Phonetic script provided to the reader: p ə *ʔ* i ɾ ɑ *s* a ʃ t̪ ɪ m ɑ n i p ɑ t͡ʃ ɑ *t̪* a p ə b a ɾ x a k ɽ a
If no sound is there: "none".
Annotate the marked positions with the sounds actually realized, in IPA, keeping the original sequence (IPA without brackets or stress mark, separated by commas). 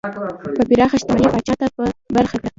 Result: p, x, t̪